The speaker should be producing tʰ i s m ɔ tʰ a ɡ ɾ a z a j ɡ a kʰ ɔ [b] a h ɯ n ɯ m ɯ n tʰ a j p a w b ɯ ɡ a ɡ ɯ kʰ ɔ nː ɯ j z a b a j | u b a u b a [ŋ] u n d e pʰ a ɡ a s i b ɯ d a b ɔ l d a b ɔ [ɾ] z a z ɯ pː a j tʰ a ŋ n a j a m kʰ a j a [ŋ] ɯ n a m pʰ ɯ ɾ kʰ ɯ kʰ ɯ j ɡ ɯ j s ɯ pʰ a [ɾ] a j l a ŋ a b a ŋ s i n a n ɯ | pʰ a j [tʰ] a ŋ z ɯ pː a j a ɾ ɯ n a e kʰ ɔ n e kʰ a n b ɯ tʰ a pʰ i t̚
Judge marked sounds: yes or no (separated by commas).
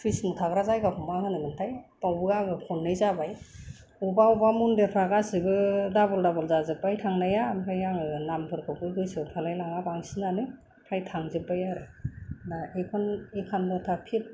no, no, no, yes, no, yes